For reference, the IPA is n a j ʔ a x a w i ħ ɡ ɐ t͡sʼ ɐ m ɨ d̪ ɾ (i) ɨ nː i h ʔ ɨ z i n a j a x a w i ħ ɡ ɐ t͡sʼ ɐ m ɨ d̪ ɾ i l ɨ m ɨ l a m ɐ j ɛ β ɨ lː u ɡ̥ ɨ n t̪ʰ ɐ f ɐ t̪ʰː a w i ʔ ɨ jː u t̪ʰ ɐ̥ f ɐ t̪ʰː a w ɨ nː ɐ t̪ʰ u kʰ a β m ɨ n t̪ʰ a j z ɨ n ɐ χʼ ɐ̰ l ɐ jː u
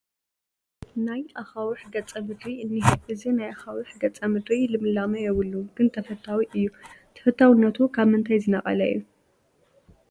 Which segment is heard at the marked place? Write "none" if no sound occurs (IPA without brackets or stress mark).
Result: i